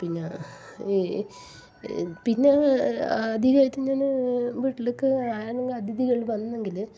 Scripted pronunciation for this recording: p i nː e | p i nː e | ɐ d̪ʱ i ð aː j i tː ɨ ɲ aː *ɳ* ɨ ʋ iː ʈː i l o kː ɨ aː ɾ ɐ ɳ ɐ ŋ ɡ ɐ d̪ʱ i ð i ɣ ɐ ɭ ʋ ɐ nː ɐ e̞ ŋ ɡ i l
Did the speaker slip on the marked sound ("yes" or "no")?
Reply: yes